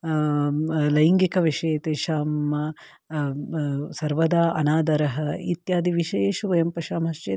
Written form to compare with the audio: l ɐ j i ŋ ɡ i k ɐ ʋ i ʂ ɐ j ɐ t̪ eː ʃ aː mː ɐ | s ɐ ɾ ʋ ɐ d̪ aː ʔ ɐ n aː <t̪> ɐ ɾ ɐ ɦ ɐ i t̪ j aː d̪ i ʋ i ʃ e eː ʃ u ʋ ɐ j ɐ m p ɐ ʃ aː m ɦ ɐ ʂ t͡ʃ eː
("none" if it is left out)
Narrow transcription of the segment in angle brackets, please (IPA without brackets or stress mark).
d̪